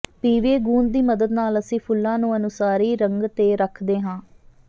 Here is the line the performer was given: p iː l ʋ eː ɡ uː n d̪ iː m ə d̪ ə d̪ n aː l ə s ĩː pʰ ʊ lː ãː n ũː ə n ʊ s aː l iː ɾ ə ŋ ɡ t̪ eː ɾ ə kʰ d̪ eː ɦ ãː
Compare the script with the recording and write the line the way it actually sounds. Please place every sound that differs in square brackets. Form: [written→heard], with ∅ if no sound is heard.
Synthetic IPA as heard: p iː [l→∅] ʋ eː ɡ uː n d̪ iː m ə d̪ ə d̪ n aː l ə s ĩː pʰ ʊ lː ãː n ũː ə n ʊ s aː [l→ɾ] iː ɾ ə ŋ ɡ t̪ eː ɾ ə kʰ d̪ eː ɦ ãː